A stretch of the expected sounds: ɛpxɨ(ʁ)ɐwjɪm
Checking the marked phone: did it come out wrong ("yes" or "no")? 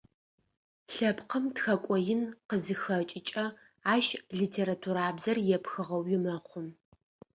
no